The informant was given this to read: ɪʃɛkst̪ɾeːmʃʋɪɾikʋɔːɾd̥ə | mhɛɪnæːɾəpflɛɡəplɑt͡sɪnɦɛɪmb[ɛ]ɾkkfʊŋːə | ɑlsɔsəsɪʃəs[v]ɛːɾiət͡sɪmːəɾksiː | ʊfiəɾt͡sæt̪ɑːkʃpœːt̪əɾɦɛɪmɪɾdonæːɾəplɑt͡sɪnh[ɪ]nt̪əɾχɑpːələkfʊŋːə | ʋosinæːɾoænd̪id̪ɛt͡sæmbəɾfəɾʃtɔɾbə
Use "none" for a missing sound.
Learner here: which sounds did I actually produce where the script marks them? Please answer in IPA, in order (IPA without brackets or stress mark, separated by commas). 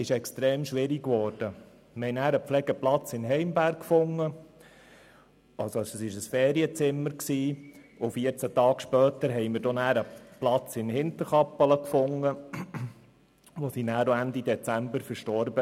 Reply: æ, f, ɪ